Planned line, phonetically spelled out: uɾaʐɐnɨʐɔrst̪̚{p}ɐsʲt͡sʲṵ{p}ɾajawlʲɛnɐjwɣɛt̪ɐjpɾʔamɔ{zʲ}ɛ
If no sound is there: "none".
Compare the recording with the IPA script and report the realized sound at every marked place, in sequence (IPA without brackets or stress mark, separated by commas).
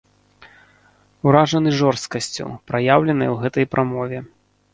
k, p, vʲ